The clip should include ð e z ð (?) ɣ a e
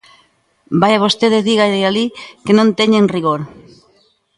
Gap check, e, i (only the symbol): i